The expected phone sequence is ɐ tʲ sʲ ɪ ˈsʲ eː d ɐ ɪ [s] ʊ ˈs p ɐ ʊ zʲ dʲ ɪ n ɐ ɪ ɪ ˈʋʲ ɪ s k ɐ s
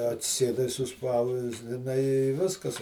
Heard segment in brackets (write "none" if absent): s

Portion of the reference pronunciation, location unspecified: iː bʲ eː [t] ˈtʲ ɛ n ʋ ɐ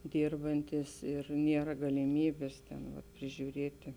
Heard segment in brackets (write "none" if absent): s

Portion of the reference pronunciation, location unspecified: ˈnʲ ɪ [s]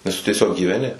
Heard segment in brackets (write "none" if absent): none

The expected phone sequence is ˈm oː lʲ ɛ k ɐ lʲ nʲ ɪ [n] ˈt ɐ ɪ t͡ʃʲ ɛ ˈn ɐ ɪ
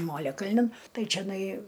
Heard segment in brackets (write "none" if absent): n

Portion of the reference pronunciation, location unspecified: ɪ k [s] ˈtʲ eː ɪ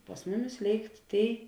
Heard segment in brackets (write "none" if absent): t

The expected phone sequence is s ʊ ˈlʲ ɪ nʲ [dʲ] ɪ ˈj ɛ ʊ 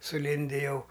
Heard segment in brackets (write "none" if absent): dʲ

